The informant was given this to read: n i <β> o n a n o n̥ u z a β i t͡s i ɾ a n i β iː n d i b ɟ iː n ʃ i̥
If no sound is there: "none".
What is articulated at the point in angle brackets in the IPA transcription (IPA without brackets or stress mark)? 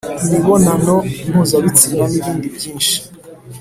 β